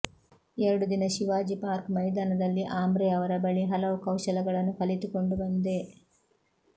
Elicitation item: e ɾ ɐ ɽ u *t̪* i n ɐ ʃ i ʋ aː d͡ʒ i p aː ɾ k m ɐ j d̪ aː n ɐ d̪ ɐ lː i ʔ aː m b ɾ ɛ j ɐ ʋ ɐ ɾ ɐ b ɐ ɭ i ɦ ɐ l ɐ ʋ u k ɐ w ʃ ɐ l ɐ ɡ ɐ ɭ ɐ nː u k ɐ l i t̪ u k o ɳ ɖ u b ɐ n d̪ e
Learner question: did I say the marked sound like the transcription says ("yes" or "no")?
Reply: no